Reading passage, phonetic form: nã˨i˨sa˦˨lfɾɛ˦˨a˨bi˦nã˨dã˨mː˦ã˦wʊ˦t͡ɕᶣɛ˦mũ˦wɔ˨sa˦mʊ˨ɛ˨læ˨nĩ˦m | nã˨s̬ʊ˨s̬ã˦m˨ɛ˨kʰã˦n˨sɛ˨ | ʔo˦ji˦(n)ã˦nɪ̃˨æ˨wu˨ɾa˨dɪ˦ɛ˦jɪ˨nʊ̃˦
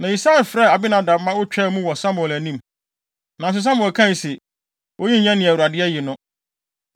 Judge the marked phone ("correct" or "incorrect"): incorrect